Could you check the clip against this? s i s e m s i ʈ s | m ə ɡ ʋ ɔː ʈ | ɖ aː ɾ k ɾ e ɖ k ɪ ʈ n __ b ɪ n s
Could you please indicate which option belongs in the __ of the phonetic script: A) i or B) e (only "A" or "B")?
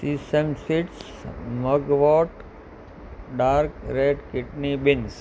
A